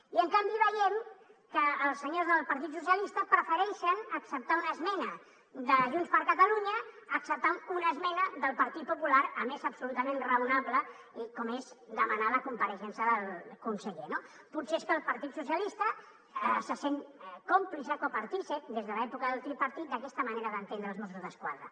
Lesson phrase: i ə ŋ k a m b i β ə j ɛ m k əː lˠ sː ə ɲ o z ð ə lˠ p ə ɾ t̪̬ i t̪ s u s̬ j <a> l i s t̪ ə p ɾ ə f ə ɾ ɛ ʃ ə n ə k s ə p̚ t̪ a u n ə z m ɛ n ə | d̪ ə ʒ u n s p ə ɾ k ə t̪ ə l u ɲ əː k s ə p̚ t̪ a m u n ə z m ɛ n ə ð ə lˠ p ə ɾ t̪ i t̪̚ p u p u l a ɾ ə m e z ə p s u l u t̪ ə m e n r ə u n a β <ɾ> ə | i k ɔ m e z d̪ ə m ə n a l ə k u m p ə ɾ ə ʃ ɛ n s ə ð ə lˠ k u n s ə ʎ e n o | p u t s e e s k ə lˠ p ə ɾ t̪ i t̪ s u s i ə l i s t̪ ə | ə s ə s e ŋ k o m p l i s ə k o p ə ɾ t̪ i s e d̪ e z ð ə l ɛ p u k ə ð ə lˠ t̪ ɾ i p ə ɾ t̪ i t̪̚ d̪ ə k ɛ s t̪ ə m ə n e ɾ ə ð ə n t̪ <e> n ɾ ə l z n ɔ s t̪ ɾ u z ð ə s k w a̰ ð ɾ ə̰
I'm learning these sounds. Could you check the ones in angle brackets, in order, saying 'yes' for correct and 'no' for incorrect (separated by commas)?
no, no, yes